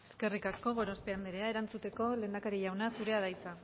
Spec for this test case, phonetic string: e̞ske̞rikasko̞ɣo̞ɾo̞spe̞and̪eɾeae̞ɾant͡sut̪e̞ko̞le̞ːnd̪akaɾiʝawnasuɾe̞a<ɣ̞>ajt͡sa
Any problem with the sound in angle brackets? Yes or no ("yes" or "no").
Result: yes